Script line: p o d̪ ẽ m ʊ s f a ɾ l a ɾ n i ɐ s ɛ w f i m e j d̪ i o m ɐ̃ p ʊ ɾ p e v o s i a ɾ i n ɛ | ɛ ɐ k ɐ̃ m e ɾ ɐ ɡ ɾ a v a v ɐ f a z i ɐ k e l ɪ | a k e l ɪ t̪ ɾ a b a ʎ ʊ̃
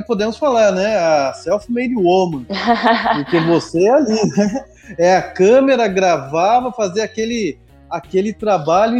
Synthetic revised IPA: p o d̪ ẽ m ʊ s f a l a ɾ n ɛ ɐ s ɛ w f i m e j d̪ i o m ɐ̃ p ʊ ɾ k e v o s e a l i n ɛ | ɛ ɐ k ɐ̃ m e ɾ ɐ ɡ ɾ a v a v ɐ f a z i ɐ k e l ɪ | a k e l ɪ t̪ ɾ a b a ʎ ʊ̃